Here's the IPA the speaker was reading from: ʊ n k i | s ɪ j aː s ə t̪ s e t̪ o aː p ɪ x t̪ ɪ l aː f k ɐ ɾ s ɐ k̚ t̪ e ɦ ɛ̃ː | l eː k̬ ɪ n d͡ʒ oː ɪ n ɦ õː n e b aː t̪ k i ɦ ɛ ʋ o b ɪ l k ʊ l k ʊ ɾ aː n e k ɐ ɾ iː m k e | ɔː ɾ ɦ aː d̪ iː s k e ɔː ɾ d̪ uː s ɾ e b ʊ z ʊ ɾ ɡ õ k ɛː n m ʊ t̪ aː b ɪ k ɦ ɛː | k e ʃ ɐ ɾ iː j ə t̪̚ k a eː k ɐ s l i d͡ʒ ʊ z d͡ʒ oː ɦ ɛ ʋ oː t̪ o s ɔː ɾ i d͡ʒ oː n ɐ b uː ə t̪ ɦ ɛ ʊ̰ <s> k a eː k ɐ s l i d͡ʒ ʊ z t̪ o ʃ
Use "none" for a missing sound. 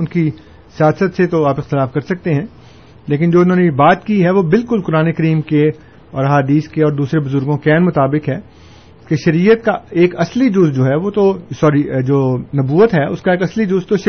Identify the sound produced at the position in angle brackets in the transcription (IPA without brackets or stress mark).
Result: s